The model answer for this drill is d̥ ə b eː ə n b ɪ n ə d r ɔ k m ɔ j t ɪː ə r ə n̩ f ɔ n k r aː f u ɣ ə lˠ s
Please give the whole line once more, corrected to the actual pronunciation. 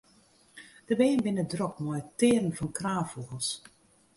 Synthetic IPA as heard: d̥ ə b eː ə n b ɪ n ə d r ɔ k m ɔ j t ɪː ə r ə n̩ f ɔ n k r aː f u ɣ ə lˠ s